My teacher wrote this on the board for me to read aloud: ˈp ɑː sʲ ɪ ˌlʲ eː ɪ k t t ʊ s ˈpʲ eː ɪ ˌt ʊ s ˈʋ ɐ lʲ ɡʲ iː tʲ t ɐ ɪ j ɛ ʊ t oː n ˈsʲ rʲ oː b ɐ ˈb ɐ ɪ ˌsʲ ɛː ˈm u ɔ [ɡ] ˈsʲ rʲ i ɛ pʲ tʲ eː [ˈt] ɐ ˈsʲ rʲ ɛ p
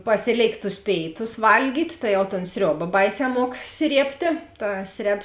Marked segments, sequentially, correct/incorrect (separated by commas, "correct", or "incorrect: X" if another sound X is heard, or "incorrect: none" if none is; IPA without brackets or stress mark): incorrect: k, correct